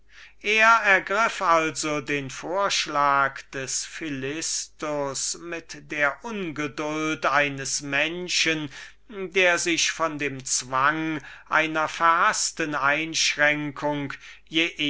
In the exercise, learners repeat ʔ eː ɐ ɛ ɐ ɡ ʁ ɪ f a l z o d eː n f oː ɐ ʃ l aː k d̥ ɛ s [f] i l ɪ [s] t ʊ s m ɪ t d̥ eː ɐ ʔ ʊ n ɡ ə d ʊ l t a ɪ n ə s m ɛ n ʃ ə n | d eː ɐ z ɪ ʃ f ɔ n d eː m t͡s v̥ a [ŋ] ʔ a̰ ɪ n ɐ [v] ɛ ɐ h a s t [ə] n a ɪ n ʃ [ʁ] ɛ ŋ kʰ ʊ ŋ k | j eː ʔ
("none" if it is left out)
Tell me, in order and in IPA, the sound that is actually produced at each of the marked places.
f, s, ŋ, f, ə, ʁ

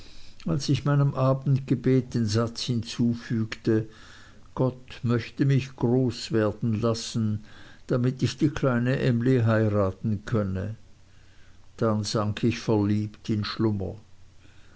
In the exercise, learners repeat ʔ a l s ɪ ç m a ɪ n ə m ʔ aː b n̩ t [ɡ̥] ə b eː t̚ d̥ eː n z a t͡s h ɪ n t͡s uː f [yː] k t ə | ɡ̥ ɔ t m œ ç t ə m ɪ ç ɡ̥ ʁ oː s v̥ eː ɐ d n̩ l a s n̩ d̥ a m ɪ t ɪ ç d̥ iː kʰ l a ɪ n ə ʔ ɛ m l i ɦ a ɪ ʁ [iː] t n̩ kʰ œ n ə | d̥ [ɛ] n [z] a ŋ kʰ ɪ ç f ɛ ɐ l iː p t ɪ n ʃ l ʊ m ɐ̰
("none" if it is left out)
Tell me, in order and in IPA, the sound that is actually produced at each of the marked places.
ɡ̥, yː, aː, a, z

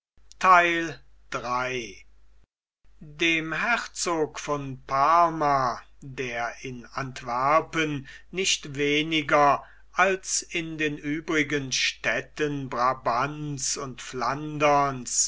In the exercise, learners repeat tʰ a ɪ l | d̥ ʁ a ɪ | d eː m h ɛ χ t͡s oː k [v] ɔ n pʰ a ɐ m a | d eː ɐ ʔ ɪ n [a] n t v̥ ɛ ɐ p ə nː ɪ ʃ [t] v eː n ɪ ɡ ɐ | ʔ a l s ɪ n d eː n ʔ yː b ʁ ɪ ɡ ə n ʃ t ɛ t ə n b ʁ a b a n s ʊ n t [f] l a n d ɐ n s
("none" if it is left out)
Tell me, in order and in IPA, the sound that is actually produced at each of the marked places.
f, a, t, f

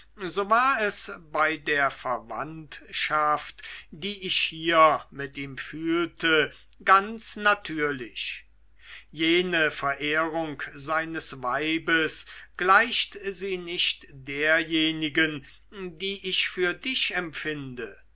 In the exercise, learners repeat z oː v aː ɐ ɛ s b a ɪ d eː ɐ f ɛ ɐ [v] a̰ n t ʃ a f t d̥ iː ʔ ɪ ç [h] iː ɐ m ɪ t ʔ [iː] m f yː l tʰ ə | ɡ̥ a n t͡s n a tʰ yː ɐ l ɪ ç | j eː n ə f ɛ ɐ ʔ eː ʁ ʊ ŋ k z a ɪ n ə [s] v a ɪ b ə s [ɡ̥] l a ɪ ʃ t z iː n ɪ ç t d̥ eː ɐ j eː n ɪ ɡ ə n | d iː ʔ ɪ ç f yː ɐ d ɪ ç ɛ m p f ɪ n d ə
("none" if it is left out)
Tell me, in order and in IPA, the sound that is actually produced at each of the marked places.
v, h, iː, s, ɡ̥

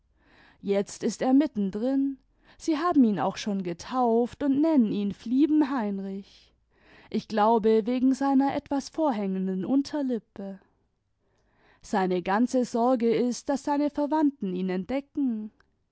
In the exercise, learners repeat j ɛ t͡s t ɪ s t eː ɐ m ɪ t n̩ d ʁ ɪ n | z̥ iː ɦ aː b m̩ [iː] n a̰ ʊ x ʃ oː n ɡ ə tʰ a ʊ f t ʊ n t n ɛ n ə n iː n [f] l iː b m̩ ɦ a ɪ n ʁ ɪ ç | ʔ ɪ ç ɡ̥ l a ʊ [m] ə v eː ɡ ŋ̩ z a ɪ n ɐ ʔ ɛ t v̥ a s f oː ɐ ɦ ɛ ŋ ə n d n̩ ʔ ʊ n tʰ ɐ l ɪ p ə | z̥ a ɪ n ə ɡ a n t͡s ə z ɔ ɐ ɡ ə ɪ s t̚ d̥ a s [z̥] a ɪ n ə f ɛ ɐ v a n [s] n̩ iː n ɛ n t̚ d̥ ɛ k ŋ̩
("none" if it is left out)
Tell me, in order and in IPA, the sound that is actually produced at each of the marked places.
iː, f, b, z̥, t

